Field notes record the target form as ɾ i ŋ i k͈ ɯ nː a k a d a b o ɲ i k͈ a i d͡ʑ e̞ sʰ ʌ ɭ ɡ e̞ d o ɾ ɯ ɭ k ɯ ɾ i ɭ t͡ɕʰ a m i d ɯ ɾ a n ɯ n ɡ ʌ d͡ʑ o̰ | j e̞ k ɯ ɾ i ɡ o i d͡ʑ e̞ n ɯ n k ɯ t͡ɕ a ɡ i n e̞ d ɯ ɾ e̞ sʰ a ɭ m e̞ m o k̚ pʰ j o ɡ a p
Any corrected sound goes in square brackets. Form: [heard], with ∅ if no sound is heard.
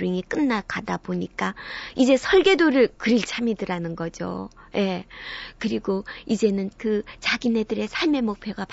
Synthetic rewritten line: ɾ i ŋ i k͈ ɯ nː a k a d a b o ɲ i k͈ a i d͡ʑ e̞ sʰ ʌ ɭ ɡ e̞ d o ɾ ɯ ɭ k ɯ ɾ i ɭ t͡ɕʰ a m i d ɯ ɾ a n ɯ n ɡ ʌ d͡ʑ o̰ | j e̞ k ɯ ɾ i ɡ o i d͡ʑ e̞ n ɯ n k ɯ t͡ɕ a ɡ i n e̞ d ɯ ɾ e̞ sʰ a ɭ m e̞ m o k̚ pʰ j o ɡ a p